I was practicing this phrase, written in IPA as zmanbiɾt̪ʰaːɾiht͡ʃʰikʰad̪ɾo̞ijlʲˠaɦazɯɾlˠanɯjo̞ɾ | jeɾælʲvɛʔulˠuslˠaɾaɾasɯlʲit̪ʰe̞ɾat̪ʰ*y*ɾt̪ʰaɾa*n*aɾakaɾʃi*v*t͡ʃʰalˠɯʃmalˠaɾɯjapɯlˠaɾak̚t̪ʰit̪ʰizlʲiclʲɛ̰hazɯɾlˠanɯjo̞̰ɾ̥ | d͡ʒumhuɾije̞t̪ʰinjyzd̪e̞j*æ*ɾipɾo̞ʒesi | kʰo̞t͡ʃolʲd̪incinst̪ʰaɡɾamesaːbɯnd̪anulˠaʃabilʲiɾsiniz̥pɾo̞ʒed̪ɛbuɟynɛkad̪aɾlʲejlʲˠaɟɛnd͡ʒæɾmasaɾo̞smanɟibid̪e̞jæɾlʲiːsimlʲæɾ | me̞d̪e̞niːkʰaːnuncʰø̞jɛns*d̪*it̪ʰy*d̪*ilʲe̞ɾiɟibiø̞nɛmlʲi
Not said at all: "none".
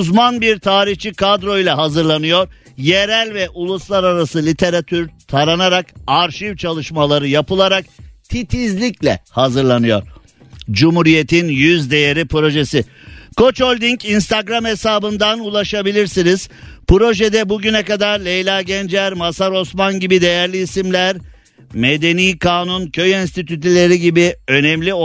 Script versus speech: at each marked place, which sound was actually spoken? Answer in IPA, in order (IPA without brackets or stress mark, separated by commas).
y, n, v, e, t̪, t̪